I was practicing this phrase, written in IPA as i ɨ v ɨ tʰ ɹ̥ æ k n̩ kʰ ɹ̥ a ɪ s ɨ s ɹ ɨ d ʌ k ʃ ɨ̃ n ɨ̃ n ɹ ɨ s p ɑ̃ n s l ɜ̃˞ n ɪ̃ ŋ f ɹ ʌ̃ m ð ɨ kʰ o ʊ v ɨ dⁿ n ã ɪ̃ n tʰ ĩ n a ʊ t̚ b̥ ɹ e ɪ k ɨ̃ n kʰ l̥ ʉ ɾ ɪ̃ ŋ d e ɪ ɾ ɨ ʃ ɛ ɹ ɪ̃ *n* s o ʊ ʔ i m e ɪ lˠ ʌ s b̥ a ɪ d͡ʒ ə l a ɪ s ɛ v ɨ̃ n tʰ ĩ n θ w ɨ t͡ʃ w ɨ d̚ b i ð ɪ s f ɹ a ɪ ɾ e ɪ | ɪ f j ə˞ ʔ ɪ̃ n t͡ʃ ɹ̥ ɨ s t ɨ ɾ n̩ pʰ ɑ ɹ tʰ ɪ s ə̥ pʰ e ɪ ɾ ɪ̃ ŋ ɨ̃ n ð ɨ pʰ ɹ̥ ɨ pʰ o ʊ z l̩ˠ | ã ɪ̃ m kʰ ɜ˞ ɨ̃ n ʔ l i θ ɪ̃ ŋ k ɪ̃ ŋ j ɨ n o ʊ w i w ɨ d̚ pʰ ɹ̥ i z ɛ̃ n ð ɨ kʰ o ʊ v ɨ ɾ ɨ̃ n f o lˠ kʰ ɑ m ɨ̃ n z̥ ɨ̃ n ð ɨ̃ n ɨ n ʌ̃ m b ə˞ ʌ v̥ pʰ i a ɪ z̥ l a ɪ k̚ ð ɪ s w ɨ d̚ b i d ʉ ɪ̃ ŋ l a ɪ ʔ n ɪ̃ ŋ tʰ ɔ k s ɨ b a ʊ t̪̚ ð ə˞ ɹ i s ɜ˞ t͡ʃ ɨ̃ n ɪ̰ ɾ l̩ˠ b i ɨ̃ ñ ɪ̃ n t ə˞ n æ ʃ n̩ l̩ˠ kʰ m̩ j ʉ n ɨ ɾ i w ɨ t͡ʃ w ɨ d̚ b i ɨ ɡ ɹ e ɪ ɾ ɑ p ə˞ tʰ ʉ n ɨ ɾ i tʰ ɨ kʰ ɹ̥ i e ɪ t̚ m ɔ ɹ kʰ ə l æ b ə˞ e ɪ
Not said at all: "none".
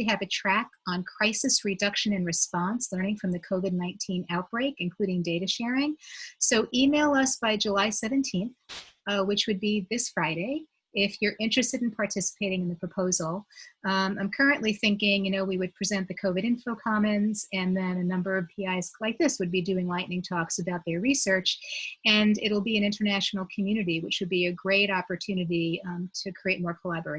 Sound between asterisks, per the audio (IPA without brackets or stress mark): ŋ